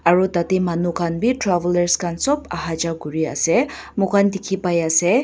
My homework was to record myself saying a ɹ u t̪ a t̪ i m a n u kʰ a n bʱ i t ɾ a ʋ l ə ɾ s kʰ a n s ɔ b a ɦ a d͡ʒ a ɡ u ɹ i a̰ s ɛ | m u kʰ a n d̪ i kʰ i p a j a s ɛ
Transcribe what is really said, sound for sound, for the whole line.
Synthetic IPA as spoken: a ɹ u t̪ a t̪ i m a n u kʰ a n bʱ i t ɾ a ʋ l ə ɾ s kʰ a n s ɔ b a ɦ a d͡ʒ a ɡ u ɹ i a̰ s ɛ | m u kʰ a n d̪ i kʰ i p a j a s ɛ